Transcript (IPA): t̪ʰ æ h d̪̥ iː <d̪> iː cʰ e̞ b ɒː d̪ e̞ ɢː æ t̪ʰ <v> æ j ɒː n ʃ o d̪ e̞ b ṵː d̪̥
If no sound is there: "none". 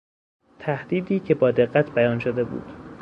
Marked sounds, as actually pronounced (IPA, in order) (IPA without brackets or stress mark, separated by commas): d̪, b